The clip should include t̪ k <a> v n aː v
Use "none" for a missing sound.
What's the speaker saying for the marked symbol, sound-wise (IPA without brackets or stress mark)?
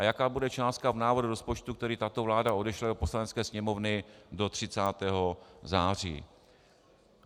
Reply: a